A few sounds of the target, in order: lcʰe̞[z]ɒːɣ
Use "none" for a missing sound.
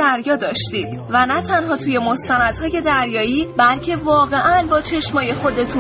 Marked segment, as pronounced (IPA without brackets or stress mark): v